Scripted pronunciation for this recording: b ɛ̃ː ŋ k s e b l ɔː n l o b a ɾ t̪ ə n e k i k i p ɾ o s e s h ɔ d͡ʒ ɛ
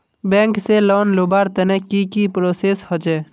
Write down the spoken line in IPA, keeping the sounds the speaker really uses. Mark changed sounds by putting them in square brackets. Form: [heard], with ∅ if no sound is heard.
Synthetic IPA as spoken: b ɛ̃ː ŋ k s e [∅] l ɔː n l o b a ɾ t̪ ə n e k i k i p ɾ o s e s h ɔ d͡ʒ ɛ